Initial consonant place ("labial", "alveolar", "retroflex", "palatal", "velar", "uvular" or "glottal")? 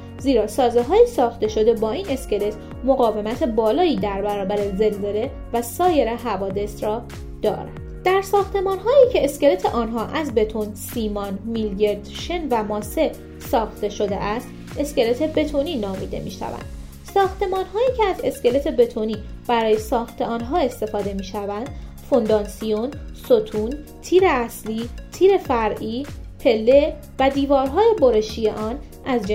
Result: alveolar